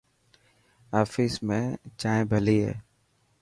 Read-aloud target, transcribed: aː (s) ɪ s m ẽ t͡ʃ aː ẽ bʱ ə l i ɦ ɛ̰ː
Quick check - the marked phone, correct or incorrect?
incorrect